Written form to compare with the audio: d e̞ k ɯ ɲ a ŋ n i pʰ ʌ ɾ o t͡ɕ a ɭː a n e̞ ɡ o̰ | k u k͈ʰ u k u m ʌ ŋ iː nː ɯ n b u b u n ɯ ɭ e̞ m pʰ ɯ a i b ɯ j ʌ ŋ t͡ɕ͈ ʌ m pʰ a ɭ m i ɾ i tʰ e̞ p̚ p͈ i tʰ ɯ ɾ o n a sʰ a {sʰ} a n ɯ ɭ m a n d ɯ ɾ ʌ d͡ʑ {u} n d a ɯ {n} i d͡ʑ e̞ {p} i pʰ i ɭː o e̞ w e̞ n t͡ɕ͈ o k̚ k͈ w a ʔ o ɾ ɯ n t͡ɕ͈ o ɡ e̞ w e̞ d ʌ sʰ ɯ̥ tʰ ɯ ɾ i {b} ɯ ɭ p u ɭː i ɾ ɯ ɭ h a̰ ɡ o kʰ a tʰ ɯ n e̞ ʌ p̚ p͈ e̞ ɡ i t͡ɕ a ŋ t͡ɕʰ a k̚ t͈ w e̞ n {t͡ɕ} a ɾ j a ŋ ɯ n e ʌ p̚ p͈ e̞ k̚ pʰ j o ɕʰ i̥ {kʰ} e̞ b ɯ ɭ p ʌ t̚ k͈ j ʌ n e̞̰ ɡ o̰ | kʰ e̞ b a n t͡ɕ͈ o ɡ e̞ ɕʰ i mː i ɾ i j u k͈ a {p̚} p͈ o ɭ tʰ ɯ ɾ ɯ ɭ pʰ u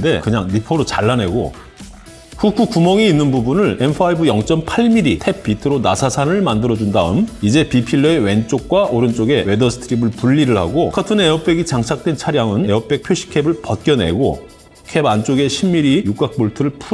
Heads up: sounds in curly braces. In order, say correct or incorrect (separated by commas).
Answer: correct, correct, incorrect, correct, correct, incorrect, correct, incorrect